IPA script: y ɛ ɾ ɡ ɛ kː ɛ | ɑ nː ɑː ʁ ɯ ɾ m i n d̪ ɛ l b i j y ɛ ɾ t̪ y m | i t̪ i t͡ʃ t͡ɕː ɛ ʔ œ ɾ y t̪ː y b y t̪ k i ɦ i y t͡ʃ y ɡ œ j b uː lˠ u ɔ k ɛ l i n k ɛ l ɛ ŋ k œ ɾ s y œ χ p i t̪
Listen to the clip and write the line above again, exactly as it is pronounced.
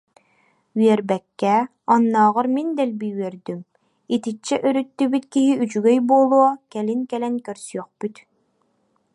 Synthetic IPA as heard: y ɛ ɾ b ɛ kː ɛ | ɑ nː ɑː ʁ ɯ ɾ m i n d̪ ɛ l b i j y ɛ ɾ d̪ y m | i t̪ i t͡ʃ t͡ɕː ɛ ʔ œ ɾ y t̪ː y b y t̪ k i ɦ i y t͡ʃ y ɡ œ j b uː lˠ u ɔ k ɛ l i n k ɛ l ɛ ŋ k œ ɾ s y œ χ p y t̪